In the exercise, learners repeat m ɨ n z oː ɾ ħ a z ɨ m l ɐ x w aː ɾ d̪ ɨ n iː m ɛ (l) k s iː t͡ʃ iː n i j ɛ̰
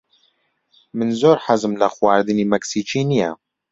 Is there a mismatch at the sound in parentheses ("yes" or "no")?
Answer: yes